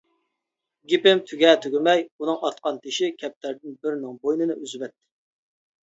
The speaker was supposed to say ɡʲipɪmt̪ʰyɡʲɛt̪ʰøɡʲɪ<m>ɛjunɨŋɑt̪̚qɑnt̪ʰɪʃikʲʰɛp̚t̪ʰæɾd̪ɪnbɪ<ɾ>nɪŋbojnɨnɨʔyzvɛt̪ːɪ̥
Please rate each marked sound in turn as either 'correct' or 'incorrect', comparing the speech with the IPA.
correct, correct

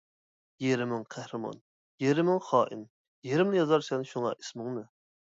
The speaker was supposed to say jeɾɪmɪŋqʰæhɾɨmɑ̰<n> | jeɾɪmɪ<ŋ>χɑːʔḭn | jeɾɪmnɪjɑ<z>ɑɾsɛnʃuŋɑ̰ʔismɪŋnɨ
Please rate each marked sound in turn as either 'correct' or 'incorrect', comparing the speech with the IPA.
correct, correct, correct

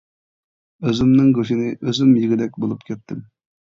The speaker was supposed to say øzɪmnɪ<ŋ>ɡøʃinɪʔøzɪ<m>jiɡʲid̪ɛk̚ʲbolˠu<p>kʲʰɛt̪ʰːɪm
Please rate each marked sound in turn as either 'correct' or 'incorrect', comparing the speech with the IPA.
correct, correct, correct

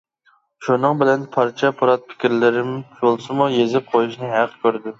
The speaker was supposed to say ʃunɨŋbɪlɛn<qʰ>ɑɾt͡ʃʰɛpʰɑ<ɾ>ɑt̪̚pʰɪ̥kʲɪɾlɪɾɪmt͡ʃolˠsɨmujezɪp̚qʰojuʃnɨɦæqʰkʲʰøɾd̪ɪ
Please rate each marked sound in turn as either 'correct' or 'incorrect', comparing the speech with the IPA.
incorrect: pʰ, correct

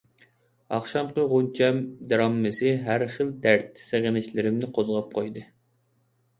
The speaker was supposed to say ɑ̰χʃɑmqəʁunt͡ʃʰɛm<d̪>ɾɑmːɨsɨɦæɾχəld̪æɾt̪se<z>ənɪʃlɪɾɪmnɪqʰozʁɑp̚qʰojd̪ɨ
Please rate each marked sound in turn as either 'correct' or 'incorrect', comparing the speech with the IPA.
correct, incorrect: ʁ

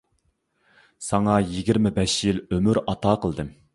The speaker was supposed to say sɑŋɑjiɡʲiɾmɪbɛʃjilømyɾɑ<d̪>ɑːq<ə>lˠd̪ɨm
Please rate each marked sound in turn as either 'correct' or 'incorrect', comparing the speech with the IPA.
incorrect: t̪, correct

